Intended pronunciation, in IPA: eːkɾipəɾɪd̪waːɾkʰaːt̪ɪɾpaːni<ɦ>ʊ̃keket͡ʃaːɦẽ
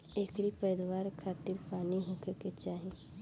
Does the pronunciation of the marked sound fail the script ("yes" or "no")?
no